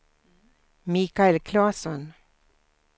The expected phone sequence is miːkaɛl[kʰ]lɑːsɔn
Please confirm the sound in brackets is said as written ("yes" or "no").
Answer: yes